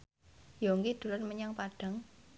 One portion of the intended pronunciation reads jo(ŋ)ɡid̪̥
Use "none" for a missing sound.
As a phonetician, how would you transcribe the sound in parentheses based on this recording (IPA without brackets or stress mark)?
ŋ